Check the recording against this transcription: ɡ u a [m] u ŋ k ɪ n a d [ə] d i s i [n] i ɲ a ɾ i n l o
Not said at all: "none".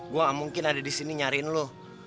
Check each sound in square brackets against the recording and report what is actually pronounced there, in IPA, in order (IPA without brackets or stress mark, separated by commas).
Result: m, a, n